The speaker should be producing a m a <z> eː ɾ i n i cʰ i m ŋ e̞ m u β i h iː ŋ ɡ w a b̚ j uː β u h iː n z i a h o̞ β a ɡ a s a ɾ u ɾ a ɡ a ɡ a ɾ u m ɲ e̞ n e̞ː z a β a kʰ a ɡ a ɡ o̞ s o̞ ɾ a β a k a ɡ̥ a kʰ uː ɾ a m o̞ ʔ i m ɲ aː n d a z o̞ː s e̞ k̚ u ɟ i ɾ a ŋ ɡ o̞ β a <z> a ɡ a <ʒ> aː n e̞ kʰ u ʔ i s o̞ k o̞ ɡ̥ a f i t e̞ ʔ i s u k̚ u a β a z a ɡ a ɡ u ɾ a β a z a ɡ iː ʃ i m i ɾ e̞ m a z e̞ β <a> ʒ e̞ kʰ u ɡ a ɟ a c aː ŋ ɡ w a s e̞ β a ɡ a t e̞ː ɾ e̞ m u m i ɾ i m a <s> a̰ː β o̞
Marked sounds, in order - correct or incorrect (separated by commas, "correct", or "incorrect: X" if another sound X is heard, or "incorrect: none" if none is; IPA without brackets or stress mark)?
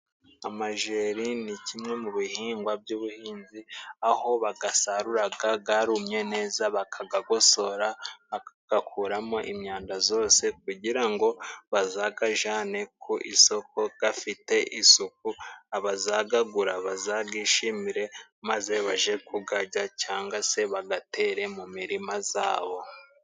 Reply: incorrect: ʒ, correct, correct, correct, incorrect: z